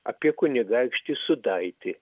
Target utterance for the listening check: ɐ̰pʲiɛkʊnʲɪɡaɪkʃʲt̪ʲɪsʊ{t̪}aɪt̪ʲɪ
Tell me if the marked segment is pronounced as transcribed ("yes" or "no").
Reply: no